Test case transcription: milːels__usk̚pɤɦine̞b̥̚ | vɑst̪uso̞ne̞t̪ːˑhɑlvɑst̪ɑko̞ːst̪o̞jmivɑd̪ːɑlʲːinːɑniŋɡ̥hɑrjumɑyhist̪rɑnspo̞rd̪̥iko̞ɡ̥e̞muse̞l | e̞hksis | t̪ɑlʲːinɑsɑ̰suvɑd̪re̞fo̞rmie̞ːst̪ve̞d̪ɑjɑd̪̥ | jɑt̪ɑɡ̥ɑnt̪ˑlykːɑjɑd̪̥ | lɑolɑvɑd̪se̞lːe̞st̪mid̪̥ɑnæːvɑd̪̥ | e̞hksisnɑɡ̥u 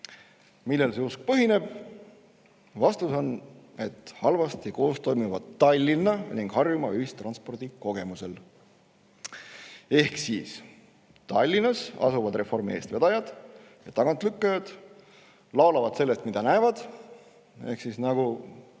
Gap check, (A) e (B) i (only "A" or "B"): A